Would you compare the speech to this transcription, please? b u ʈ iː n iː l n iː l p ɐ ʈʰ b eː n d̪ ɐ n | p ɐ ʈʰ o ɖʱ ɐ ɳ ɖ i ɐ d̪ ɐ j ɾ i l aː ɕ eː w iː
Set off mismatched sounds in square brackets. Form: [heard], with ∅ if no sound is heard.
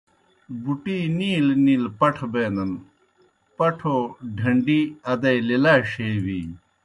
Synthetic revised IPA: b u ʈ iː n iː l n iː l p ɐ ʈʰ b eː n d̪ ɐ n | p ɐ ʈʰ o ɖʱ ɐ ɳ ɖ i ɐ d̪ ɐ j [l] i l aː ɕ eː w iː